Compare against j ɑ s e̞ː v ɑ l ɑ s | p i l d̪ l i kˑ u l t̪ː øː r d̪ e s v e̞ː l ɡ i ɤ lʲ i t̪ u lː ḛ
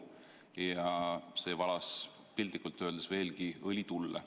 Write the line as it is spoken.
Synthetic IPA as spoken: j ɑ s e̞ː v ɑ l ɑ s | p i l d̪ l i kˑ u l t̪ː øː l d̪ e s v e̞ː l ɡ i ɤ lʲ i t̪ u lː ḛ